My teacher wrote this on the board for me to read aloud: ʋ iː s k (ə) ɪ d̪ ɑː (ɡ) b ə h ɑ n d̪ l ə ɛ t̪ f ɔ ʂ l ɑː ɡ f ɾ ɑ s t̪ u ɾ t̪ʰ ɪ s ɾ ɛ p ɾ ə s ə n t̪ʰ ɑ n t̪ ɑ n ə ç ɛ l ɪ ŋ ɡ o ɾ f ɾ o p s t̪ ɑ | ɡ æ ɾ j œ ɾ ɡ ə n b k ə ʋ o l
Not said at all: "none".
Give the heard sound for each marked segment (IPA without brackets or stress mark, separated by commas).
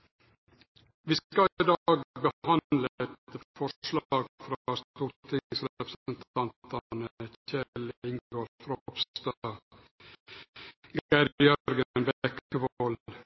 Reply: ɑ, ɡ